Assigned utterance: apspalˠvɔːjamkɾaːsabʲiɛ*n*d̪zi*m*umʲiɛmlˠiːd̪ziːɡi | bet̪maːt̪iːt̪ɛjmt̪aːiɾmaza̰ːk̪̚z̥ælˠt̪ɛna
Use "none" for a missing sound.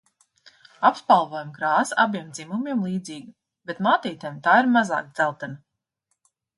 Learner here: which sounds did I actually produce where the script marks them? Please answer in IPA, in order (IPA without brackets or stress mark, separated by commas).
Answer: m, m